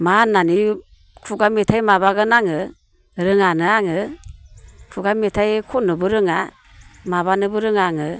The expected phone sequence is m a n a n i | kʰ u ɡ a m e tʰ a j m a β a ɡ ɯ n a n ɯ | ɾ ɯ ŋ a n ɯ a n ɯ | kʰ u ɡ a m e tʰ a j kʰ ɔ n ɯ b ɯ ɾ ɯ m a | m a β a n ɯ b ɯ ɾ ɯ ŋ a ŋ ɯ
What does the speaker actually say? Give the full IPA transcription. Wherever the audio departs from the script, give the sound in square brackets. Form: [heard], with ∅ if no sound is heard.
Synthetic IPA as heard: m a n a n i | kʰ u ɡ a m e tʰ a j m a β a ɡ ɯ n a [ŋ] ɯ | ɾ ɯ ŋ a n ɯ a [ŋ] ɯ | kʰ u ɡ a m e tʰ a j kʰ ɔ n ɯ b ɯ ɾ ɯ [ŋ] a | m a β a n ɯ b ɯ ɾ ɯ ŋ a ŋ ɯ

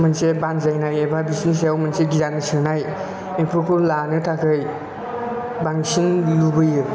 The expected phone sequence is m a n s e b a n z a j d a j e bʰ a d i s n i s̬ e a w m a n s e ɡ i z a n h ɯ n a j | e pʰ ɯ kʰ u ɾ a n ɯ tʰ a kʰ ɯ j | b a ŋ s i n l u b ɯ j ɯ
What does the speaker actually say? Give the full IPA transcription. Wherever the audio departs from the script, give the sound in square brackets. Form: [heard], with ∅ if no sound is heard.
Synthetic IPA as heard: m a n s e b a n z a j [n] a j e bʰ a [b] i s n i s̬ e a w m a n s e ɡ i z a n [s] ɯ n a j | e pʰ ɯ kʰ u [l] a n ɯ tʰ a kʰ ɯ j | b a ŋ s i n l u b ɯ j ɯ

